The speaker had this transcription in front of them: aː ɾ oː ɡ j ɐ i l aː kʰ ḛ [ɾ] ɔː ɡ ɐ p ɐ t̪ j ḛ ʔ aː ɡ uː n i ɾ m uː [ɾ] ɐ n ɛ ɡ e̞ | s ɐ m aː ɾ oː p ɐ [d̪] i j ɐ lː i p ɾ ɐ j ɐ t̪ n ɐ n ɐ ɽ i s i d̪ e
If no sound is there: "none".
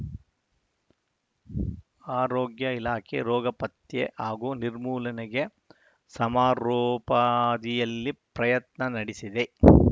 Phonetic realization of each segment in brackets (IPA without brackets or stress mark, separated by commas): ɾ, l, d̪